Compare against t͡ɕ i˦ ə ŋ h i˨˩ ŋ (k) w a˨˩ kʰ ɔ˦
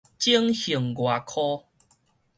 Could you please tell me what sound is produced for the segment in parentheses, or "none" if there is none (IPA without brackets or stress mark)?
ɡ